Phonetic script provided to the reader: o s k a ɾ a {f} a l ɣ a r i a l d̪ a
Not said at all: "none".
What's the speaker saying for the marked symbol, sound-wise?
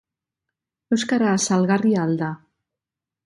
s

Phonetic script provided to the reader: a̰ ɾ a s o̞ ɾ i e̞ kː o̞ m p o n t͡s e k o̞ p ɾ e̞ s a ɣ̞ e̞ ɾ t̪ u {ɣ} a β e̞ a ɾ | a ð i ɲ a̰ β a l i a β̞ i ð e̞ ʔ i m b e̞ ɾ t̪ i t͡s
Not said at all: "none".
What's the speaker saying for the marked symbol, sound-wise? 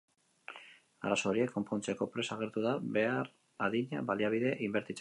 ð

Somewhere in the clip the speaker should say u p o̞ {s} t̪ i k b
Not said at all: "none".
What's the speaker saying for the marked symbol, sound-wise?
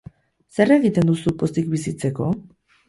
s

